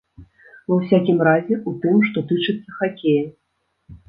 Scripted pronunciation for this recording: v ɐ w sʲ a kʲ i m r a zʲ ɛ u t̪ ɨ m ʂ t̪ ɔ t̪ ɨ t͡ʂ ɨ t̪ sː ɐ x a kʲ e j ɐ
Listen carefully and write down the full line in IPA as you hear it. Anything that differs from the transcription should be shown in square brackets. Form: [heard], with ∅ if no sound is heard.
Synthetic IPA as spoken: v ɐ w sʲ a kʲ i m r a zʲ ɛ u t̪ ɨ m ʂ t̪ ɔ t̪ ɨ t͡ʂ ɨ t̪ sː ɐ x a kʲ e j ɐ

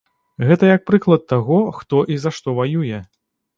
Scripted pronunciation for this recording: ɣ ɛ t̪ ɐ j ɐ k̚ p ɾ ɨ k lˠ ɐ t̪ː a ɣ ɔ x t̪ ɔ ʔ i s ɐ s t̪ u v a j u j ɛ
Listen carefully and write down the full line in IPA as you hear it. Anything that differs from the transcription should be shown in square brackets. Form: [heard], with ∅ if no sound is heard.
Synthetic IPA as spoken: ɣ ɛ t̪ ɐ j ɐ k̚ p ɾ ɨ k lˠ ɐ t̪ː a ɣ ɔ x t̪ ɔ ʔ i [z] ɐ [ʂ] t̪ [ɔ] v a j u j ɛ

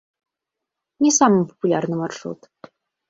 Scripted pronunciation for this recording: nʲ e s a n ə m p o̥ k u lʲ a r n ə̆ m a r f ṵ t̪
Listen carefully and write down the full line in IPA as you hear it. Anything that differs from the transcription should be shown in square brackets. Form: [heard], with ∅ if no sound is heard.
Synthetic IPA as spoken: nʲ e s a [m] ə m p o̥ [p] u lʲ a r n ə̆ m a r [ʂ] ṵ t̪

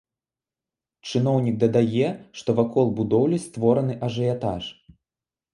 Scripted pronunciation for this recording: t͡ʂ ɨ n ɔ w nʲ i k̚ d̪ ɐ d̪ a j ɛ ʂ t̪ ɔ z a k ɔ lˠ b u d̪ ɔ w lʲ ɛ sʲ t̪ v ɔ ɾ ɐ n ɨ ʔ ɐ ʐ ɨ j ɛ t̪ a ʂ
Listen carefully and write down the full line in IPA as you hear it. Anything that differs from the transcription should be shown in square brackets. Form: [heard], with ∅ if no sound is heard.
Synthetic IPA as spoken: t͡ʂ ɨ n ɔ w nʲ i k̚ d̪ ɐ d̪ a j ɛ ʂ t̪ ɔ [v] a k ɔ lˠ b u d̪ ɔ w lʲ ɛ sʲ t̪ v ɔ ɾ ɐ n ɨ ʔ ɐ ʐ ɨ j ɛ t̪ a ʂ

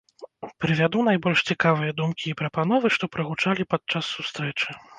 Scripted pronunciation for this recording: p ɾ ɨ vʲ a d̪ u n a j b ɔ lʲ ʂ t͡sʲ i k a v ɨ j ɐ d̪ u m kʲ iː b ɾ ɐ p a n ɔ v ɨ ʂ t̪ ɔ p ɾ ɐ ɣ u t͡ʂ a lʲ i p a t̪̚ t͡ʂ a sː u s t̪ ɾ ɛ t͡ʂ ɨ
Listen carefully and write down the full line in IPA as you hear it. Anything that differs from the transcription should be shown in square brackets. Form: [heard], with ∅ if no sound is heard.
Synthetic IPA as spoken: p ɾ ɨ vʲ a d̪ u n a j b ɔ lʲ ʂ t͡sʲ i k a v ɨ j ɐ d̪ u m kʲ iː [p] ɾ ɐ p a n ɔ v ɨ ʂ t̪ ɔ p ɾ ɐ ɣ u t͡ʂ a lʲ i p a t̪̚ t͡ʂ a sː u s t̪ ɾ ɛ t͡ʂ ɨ

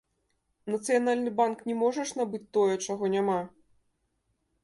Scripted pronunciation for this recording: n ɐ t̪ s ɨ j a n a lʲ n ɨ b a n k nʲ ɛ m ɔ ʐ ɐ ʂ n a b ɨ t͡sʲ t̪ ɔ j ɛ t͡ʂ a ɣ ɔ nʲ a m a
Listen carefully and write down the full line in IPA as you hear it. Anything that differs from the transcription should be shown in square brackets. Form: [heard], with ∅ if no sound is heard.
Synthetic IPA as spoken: n ɐ t̪ s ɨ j a n a lʲ n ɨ b a n k nʲ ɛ m ɔ ʐ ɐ ʂ n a b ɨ t͡sʲ t̪ ɔ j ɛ t͡ʂ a ɣ ɔ nʲ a m a

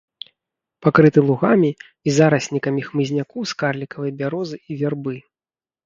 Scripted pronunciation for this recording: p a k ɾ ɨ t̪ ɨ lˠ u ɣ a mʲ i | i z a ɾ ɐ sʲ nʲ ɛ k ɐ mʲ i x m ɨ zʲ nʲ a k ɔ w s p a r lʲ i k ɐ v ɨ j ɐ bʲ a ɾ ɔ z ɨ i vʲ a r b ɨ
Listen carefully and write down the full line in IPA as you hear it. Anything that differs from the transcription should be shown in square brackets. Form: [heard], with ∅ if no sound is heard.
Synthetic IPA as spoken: p a k ɾ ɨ t̪ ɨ lˠ u ɣ a mʲ i | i z a ɾ ɐ sʲ nʲ [i] k ɐ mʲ i x m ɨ zʲ nʲ a k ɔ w s [k] a r lʲ i k ɐ v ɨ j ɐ bʲ a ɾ ɔ z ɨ i vʲ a r b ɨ

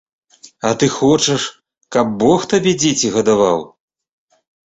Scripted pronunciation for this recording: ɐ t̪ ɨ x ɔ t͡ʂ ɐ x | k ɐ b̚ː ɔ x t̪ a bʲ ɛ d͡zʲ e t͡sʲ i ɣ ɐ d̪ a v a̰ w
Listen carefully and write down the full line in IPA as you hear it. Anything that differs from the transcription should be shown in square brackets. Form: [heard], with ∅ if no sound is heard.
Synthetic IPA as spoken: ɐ t̪ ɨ x ɔ t͡ʂ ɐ [ʂ] | k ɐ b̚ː ɔ x t̪ a bʲ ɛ d͡zʲ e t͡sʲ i ɣ ɐ d̪ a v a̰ w

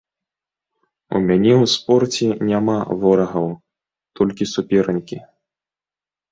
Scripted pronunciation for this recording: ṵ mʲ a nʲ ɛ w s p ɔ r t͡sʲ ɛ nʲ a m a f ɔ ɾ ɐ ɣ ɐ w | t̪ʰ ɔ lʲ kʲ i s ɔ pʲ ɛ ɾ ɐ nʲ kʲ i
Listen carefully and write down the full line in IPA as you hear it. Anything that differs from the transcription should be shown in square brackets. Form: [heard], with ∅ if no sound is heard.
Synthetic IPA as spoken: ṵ mʲ a nʲ ɛ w s p ɔ r t͡sʲ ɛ nʲ a m a [v] ɔ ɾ ɐ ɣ ɐ w | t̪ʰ ɔ lʲ kʲ i s [u] pʲ ɛ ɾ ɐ nʲ kʲ i

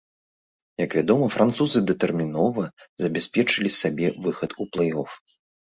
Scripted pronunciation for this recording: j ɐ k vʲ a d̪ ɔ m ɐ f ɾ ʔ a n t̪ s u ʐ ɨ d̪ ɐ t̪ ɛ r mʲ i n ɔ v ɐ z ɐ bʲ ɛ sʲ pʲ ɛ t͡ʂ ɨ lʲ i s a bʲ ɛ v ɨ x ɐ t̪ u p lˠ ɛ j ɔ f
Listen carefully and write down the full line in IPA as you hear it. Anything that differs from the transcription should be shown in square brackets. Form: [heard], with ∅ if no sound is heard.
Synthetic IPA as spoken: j ɐ k vʲ a d̪ ɔ m ɐ f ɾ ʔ a n t̪ s u [z] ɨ d̪ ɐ t̪ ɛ r mʲ i n ɔ v ɐ z ɐ bʲ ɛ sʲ pʲ ɛ t͡ʂ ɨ lʲ i s a bʲ ɛ v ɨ x ɐ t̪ u p lˠ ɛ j ɔ f

